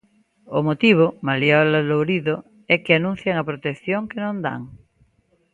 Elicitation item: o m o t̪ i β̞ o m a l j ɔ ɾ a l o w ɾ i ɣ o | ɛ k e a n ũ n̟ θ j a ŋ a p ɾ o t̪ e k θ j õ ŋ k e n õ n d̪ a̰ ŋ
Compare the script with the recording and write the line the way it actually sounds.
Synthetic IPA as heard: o m o t̪ i β̞ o m a l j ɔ l a l o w ɾ i ð o | ɛ k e a n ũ n̟ θ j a ŋ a p ɾ o t̪ e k θ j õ ŋ k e n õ n d̪ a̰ ŋ